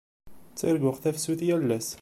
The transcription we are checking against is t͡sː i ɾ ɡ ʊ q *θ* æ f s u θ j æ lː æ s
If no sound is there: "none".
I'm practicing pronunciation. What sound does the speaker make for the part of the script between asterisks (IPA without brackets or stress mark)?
θ